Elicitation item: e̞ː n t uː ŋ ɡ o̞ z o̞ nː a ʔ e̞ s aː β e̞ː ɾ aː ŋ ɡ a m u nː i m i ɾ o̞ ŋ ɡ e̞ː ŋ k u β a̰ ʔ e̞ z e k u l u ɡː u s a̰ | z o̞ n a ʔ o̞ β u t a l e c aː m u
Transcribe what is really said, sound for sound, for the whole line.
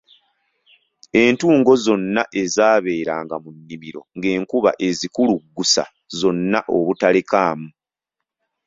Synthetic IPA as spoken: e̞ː n t uː ŋ ɡ o̞ z o̞ nː a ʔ e̞ z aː β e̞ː ɾ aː ŋ ɡ a m u nː i m i ɾ o̞ ŋ ɡ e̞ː ŋ k u β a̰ ʔ e̞ z i k u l u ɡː u s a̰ | z o̞ nː a ʔ o̞ β u t a l e k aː m u

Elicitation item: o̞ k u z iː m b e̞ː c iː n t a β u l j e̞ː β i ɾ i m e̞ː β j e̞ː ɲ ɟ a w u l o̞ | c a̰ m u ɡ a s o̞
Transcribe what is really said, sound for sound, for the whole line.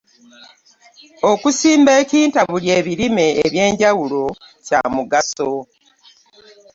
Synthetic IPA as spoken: o̞ k u s iː m b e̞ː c iː n t a β u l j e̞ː β i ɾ i m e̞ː β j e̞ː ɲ ɟ a w u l o̞ | c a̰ m u ɡ a s o̞

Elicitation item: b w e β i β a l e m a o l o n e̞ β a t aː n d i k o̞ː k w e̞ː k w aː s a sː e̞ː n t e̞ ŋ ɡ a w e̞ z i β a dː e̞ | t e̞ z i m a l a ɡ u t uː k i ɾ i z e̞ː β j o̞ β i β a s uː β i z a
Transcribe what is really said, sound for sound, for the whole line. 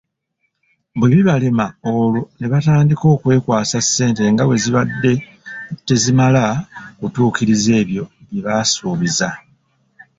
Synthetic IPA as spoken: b w e β i β a l e m a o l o n e̞ β a t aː n d i k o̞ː k w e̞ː k w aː s a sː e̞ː n t e̞ ŋ ɡ a w e̞ z i β a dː e̞ | t e̞ z i m a l a k u t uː k i ɾ i z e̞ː β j o̞ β i β a s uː β i z a

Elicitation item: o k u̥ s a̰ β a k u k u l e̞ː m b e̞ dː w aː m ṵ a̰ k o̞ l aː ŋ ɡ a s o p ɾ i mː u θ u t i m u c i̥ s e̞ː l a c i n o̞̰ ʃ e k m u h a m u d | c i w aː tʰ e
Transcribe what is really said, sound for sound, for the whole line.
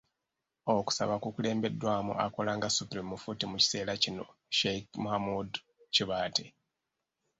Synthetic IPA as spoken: o k u̥ s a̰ β a k u k u l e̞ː m b e̞ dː w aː m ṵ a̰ k o̞ l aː ŋ ɡ a s u p ɾ i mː u f u t i m u c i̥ s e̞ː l a c i n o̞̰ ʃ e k m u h a m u d | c i β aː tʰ e

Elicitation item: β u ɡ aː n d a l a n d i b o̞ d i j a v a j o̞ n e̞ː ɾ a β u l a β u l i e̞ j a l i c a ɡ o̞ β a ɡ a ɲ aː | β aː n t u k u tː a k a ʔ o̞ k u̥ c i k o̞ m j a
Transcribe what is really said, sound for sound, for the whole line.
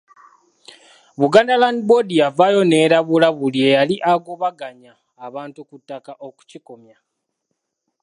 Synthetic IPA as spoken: β u ɡ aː n d a l a n d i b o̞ d i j a v a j o̞ n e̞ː ɾ a β u l a β u l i e̞ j a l i ʔ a ɡ o̞ β a ɡ a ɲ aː | β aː n t u k u tː a k a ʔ o̞ k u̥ c i k o̞ m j a

